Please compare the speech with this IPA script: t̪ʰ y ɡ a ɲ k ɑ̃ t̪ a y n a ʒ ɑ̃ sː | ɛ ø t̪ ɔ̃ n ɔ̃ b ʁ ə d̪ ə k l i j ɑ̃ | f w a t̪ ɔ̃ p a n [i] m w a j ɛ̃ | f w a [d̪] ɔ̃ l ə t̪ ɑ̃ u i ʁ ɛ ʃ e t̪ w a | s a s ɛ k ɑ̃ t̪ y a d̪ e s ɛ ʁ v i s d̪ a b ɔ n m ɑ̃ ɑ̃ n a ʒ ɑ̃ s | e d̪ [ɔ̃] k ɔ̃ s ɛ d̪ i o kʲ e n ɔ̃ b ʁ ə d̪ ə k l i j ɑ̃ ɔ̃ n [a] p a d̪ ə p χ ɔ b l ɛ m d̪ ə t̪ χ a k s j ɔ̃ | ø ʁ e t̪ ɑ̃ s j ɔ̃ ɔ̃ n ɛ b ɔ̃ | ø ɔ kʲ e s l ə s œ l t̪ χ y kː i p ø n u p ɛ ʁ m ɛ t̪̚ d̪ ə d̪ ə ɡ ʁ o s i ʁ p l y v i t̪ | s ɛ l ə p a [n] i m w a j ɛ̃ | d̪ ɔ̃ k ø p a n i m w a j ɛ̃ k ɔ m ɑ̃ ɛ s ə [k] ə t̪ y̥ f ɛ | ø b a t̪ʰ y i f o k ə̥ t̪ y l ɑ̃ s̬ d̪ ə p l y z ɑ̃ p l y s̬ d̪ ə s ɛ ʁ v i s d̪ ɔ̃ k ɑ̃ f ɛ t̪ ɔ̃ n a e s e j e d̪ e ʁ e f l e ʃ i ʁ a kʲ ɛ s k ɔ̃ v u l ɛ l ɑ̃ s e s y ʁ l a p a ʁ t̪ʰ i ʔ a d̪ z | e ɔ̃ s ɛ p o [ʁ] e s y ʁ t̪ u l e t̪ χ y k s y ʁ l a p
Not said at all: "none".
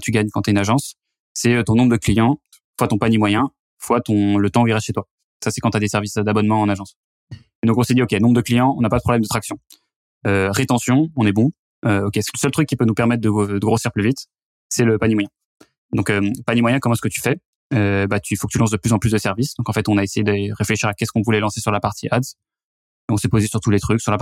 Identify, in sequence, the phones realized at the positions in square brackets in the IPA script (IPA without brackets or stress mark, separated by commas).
i, t̪, ɔ̃, a, n, k, z